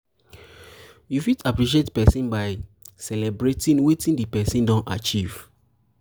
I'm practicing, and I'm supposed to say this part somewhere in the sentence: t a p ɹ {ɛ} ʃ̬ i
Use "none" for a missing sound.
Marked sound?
i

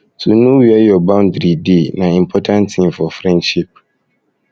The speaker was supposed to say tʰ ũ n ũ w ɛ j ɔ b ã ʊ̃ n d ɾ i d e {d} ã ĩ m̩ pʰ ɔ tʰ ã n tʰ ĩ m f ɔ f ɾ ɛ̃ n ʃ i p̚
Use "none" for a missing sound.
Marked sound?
n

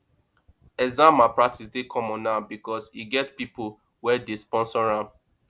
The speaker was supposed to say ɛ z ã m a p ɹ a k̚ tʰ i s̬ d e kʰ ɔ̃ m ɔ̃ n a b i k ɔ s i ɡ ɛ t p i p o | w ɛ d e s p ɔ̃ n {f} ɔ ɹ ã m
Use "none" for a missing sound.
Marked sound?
s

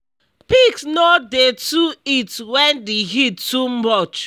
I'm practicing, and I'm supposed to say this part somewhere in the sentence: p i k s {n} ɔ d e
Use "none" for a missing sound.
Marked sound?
n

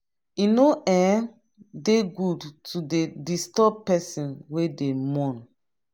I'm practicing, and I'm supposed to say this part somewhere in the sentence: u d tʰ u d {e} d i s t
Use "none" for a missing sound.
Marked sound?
e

